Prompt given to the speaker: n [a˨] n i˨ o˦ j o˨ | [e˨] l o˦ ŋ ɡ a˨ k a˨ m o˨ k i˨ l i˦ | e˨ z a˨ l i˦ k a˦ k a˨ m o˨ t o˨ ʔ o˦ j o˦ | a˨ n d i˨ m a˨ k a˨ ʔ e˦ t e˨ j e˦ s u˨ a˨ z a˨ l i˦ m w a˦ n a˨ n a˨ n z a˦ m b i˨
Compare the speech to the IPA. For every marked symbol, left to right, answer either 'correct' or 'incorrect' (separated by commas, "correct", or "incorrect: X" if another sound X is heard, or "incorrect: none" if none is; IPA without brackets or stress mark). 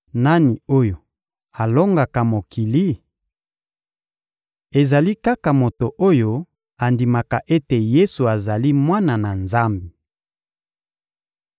incorrect: a˦, incorrect: a˨